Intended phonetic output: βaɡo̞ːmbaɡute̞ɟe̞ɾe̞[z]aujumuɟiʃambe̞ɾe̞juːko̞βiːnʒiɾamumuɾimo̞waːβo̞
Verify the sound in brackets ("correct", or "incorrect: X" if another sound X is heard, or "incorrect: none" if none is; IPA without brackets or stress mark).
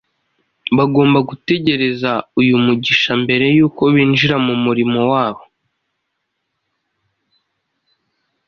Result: correct